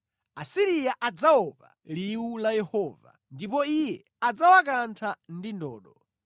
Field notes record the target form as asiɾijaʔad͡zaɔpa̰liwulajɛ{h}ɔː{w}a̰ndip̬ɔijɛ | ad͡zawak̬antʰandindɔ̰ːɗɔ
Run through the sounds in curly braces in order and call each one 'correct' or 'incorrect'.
correct, incorrect: v

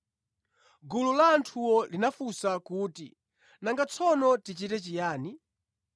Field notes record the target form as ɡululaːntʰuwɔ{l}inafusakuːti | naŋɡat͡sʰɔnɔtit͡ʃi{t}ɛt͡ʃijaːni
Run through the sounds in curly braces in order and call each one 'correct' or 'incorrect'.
correct, correct

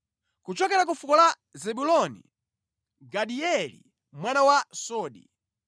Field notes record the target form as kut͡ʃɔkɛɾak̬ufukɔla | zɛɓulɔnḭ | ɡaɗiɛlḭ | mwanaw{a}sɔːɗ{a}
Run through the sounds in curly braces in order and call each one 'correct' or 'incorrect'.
correct, incorrect: i

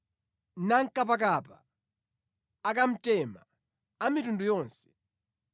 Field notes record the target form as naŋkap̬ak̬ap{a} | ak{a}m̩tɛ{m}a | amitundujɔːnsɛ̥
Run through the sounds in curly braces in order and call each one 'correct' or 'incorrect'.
correct, correct, correct

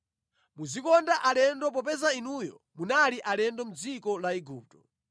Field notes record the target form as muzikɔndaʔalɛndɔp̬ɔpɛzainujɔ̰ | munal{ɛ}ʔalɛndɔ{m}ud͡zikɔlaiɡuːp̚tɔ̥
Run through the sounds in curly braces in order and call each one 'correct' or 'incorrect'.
incorrect: i, correct

